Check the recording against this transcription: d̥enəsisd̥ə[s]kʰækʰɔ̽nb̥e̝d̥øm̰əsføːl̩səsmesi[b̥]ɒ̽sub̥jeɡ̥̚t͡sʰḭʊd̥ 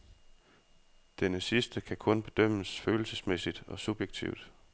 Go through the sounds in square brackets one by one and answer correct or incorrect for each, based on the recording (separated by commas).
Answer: incorrect, incorrect